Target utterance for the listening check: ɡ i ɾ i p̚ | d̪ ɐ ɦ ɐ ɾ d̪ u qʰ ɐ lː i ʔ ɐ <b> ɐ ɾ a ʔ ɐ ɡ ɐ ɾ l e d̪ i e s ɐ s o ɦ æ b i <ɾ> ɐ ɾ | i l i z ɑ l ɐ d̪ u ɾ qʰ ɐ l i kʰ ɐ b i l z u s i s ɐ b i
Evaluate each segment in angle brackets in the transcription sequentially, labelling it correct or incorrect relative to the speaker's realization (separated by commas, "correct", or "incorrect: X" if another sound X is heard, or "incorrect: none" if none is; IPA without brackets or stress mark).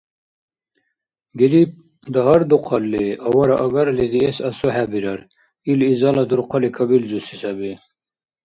incorrect: w, correct